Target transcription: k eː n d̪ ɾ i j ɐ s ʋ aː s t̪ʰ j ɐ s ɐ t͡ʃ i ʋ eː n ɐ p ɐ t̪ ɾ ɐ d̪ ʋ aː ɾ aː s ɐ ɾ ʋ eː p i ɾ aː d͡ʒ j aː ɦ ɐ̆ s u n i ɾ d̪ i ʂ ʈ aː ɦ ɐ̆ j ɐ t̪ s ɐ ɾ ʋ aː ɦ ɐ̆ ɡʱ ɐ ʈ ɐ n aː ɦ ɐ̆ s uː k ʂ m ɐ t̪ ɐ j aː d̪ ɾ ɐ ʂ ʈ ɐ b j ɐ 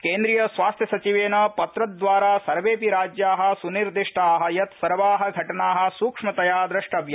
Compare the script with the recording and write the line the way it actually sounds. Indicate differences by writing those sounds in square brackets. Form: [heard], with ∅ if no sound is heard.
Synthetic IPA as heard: k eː n d̪ ɾ i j ɐ s ʋ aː s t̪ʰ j ɐ s ɐ t͡ʃ i ʋ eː n ɐ p ɐ t̪ ɾ ɐ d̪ ʋ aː ɾ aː s ɐ ɾ ʋ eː p i ɾ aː d͡ʒ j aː ɦ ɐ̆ s u n i ɾ d̪ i ʂ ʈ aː ɦ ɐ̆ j ɐ t̪ s ɐ ɾ ʋ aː ɦ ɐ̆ ɡʱ ɐ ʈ ɐ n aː ɦ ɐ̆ s uː k ʂ m ɐ t̪ ɐ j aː d̪ ɾ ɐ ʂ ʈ ɐ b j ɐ